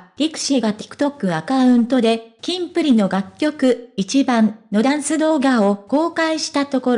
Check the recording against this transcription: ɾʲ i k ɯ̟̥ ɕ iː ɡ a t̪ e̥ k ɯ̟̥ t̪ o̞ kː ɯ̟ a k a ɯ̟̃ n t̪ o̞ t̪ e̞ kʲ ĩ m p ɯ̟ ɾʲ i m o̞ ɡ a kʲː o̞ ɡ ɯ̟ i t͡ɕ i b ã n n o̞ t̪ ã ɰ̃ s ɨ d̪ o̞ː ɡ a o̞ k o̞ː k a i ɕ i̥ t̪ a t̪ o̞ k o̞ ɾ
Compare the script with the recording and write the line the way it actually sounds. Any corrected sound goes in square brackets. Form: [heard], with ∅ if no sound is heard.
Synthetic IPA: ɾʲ i k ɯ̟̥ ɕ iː ɡ a t̪ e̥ k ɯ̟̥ t̪ o̞ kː ɯ̟ a k a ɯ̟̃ n t̪ o̞ [d̪] e̞ kʲ ĩ m p ɯ̟ ɾʲ i [n] o̞ ɡ a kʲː o̞ [k] ɯ̟ i t͡ɕ i b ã n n o̞ [d̪] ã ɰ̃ s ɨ d̪ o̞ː ɡ a o̞ k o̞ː k a i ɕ i̥ t̪ a t̪ o̞ k o̞ ɾ